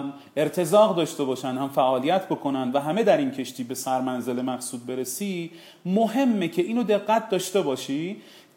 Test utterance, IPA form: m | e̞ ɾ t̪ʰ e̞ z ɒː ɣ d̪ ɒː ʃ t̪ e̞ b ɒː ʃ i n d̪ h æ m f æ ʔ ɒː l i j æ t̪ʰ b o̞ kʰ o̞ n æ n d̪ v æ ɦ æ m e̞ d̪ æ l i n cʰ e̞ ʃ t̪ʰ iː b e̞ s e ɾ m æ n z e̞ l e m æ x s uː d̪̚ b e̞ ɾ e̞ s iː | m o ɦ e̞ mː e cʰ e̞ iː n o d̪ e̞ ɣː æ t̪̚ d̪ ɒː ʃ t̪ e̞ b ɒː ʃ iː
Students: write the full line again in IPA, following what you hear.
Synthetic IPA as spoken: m | e̞ ɾ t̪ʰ e̞ z ɒː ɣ d̪ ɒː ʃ t̪ e̞ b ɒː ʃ æ n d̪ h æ m f æ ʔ ɒː l i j æ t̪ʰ b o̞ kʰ o̞ n æ n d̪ v æ ɦ æ m e̞ d̪ æ ɾ i n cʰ e̞ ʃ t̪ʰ iː b e̞ s æ ɾ m æ n z e̞ l e m æ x s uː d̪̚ b e̞ ɾ e̞ s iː | m o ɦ e̞ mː e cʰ e̞ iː n o d̪ e̞ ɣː æ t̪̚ d̪ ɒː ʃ t̪ e̞ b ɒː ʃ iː